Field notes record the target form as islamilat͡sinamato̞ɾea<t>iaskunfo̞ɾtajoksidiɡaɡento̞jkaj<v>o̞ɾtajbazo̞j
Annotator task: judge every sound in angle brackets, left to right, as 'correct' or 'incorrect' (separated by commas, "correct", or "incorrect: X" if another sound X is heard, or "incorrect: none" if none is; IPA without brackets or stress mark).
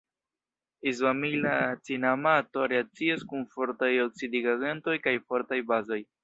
incorrect: t͡s, incorrect: f